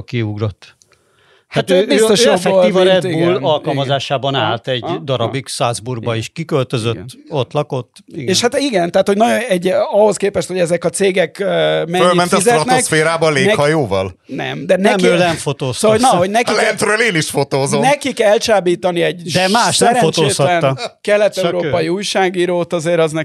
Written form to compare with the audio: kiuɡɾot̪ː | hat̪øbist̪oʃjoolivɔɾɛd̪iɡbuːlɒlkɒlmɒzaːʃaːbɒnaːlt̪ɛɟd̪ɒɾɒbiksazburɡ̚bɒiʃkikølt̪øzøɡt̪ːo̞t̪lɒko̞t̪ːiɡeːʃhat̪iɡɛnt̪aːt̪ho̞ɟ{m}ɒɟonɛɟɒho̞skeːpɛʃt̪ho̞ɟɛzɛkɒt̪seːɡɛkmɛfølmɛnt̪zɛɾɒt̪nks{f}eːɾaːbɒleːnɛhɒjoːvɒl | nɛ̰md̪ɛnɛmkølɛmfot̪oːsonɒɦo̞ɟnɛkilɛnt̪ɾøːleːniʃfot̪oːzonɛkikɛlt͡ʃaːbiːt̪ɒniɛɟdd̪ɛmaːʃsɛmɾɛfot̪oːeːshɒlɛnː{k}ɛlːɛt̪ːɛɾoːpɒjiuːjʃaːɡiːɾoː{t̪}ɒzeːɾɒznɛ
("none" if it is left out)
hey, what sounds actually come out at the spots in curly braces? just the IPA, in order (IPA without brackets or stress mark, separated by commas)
n, f, k, t̪